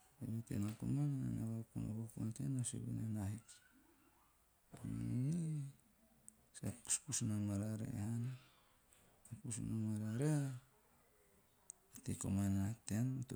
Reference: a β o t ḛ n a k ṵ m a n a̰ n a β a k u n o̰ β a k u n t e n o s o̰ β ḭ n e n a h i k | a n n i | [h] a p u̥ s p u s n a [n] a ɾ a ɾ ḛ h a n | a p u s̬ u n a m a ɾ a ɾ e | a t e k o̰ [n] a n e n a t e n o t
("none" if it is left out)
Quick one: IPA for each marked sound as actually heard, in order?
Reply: s, m, m

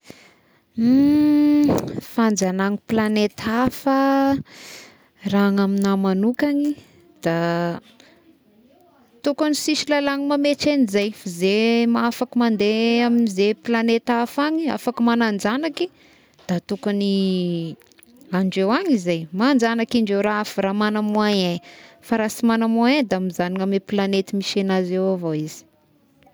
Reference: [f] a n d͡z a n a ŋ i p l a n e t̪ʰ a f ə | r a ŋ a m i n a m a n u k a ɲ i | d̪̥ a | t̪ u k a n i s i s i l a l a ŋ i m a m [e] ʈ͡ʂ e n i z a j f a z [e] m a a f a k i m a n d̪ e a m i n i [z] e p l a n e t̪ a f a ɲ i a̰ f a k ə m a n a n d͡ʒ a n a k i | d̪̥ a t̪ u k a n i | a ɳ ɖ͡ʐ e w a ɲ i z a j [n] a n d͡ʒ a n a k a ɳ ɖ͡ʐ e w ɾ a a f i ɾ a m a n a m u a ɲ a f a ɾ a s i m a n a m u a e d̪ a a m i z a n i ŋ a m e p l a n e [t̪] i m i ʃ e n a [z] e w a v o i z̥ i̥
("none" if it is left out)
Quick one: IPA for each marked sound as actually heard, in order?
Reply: f, e, e, z, m, t̪, z

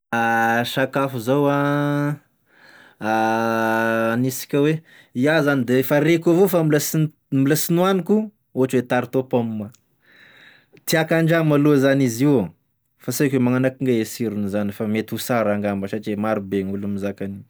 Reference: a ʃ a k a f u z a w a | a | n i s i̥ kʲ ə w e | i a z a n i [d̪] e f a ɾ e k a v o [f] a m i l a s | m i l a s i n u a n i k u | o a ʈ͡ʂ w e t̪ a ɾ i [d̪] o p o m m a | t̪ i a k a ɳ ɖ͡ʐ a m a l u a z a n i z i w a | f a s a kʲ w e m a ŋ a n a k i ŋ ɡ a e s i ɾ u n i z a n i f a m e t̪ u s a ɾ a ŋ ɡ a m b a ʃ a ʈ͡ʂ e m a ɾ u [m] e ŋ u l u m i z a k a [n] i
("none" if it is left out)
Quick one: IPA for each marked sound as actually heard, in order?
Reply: d̪, f, t̪, b, n

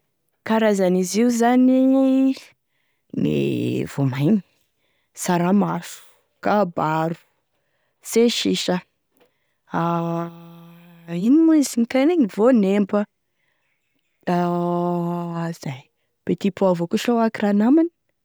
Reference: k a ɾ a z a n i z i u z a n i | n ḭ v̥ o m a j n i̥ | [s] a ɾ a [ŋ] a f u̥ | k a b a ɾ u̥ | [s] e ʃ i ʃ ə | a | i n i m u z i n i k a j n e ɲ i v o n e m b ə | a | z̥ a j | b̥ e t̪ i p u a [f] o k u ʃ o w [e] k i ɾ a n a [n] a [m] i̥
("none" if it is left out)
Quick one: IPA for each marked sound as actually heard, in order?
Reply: s, m, s, v, a, m, n

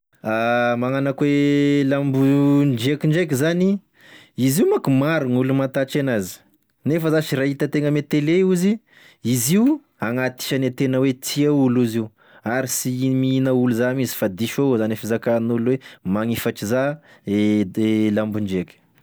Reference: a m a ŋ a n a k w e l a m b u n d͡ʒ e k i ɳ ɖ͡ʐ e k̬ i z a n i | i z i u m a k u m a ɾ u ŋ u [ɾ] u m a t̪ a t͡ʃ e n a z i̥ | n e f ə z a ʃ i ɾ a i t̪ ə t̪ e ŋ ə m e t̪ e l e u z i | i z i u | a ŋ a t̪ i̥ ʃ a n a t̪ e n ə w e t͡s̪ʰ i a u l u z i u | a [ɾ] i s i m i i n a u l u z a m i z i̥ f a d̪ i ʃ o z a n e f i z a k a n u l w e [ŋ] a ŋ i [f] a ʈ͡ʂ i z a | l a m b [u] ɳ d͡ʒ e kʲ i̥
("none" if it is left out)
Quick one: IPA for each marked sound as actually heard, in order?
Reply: l, ɾ, m, f, u

